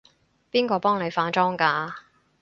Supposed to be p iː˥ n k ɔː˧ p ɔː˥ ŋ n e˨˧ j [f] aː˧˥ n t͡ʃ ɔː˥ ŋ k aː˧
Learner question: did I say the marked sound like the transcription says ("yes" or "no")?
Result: yes